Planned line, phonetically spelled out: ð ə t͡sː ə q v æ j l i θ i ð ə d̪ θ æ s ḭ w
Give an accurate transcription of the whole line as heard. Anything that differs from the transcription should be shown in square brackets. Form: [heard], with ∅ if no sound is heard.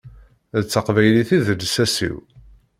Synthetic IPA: ð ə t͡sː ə q v æ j l i θ i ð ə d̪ [s] æ s ḭ w